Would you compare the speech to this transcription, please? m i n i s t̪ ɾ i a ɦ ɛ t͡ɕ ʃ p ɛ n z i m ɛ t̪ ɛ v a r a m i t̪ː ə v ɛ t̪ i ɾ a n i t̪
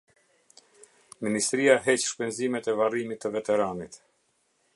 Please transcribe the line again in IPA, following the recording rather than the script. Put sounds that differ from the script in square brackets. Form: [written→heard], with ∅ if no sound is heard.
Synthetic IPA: m i n i s t̪ ɾ i a ɦ ɛ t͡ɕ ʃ p ɛ n z i m ɛ t̪ ɛ v a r [a→i] m i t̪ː ə v ɛ t̪ [i→ɛ] ɾ a n i t̪